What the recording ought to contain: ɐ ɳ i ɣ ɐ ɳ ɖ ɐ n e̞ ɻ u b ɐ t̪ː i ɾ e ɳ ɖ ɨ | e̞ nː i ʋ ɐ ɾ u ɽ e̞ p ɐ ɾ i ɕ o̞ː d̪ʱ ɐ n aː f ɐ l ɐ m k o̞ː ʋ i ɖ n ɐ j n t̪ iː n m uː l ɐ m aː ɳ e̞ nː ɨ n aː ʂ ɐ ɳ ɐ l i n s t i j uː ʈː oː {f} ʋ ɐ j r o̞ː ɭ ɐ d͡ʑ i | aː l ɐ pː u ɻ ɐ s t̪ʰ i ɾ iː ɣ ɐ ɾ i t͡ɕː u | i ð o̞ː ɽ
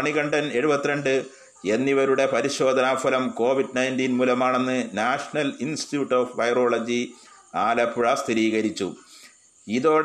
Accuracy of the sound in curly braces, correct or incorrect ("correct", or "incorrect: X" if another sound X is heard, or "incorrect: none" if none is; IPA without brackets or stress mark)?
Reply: correct